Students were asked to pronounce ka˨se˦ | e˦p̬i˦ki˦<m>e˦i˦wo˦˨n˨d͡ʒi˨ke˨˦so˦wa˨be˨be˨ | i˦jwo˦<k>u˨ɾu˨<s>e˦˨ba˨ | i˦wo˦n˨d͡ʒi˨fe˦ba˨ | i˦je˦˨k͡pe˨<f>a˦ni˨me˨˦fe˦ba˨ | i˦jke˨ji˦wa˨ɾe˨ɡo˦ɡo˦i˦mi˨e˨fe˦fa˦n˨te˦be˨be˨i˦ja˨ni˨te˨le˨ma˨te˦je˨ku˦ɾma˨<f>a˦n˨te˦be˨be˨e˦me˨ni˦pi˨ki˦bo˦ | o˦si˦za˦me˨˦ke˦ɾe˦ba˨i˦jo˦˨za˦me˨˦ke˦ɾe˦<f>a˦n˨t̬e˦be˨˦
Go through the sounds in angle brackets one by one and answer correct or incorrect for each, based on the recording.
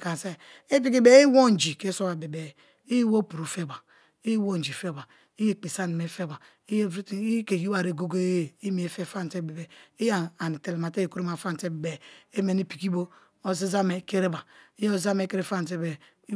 incorrect: b, incorrect: p, incorrect: f, incorrect: s, correct, correct

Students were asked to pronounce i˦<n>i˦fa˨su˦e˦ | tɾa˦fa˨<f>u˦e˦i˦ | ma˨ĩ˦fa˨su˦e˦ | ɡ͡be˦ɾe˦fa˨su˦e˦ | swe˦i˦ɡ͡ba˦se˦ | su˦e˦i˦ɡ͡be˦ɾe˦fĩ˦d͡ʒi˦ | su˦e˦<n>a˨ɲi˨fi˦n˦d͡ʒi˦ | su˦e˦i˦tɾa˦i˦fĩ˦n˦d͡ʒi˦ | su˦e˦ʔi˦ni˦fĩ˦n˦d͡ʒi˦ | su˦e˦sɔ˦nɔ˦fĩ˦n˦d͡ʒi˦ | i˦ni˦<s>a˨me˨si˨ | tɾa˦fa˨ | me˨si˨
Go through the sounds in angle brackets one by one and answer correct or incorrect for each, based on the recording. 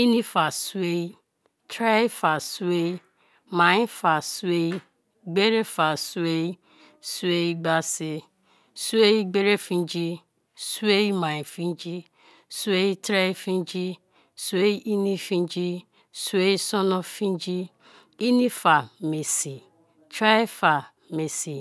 correct, incorrect: s, incorrect: m, incorrect: f

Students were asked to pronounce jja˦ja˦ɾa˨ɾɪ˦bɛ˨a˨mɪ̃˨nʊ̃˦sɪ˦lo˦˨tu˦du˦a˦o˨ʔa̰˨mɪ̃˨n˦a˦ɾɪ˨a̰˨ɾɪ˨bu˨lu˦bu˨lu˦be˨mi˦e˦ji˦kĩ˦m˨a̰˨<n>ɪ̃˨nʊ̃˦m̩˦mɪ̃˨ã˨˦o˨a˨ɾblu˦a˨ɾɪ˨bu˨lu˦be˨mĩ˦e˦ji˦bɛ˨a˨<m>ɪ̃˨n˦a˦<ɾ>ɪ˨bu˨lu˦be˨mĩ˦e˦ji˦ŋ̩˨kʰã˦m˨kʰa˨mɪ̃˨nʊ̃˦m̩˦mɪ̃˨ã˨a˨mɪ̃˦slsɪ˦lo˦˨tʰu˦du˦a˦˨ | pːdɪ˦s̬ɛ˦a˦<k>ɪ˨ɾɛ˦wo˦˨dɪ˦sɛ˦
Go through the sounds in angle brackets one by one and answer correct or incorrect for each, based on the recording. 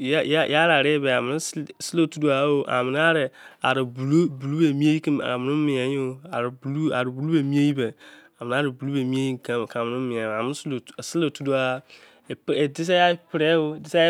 incorrect: m, correct, correct, incorrect: p

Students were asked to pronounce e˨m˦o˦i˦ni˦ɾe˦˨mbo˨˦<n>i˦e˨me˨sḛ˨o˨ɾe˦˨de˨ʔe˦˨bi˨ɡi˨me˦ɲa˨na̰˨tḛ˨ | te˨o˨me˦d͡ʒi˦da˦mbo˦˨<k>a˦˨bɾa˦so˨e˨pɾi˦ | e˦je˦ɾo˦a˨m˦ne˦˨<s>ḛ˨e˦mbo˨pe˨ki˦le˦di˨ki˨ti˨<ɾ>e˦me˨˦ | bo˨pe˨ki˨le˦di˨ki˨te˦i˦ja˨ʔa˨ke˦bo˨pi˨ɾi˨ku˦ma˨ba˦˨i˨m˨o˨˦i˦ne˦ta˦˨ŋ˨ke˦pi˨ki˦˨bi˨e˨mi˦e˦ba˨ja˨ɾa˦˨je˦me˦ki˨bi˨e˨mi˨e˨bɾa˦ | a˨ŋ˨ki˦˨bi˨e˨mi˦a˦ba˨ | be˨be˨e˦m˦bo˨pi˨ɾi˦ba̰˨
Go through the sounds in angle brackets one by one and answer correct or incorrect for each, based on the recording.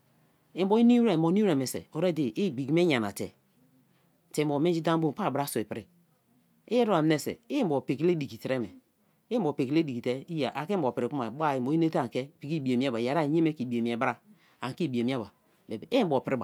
correct, incorrect: p, correct, correct

